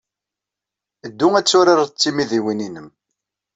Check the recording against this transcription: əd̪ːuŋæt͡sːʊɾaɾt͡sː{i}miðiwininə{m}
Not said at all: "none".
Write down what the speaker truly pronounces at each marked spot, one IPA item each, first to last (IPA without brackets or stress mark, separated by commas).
i, m